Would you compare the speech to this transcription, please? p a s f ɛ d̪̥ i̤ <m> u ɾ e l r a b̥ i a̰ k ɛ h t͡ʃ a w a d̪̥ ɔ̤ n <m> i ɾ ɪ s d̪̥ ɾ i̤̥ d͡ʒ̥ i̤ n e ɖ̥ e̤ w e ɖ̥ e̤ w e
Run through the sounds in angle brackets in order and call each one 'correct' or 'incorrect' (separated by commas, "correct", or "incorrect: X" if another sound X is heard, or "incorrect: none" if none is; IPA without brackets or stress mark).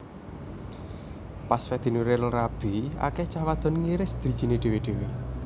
incorrect: n, incorrect: ŋ